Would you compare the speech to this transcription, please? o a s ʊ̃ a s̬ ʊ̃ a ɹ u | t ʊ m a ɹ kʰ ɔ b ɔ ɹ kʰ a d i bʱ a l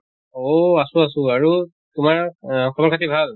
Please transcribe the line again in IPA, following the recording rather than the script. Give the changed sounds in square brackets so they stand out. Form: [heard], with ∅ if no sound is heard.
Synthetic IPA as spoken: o a s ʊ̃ a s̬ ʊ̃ a ɹ u | t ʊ m a ɹ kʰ ɔ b ɔ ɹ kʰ a [t] i bʱ a l